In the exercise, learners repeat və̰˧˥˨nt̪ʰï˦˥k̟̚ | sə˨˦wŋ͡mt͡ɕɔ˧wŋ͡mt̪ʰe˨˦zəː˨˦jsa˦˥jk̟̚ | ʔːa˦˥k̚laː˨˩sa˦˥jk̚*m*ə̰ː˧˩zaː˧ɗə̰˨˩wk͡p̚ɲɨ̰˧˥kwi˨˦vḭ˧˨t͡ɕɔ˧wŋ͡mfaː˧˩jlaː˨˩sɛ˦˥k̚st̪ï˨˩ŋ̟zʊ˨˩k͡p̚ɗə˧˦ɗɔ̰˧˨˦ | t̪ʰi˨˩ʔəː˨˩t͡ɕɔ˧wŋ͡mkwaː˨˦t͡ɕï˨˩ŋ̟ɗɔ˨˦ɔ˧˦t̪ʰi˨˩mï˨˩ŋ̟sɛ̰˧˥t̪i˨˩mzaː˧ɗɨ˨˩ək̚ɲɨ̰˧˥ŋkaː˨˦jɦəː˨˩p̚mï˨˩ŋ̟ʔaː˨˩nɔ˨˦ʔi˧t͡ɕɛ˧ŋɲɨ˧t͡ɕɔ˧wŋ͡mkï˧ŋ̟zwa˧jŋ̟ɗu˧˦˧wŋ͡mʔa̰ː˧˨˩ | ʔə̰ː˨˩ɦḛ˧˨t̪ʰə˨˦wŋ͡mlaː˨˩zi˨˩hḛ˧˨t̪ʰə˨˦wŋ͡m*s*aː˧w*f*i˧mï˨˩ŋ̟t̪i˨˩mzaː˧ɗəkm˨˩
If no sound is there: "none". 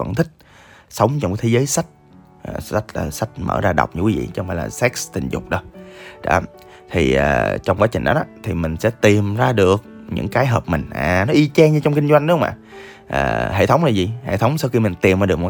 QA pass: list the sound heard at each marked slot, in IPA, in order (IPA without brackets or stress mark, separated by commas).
m, s, x